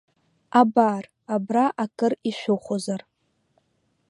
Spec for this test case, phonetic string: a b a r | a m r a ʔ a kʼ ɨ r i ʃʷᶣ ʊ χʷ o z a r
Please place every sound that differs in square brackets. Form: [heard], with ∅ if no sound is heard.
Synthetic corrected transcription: a b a r | a [b] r a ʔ a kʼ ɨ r i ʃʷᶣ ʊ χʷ o z a r